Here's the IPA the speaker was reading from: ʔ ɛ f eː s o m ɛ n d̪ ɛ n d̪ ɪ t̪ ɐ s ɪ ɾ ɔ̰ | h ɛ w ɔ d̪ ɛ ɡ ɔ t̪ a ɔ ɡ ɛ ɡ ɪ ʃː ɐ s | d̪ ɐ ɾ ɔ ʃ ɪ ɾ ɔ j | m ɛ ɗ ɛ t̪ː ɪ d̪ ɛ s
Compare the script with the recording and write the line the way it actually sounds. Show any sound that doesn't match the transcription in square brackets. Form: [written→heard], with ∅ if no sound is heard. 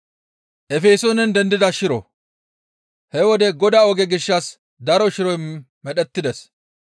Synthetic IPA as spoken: ʔ ɛ f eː s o [m→n] ɛ n d̪ ɛ n d̪ ɪ [t̪→d̪] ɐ [s→ʃ] ɪ ɾ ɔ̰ | h ɛ w ɔ d̪ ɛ ɡ ɔ [t̪→d̪] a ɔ ɡ ɛ ɡ ɪ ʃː ɐ s | d̪ ɐ ɾ ɔ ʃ ɪ ɾ ɔ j | m ɛ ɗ ɛ t̪ː ɪ d̪ ɛ s